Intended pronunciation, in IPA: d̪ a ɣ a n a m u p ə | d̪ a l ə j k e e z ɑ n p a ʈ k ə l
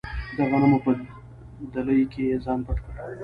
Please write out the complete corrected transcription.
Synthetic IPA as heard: d̪ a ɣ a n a m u p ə | d̪ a l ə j k e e z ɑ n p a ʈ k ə ɽ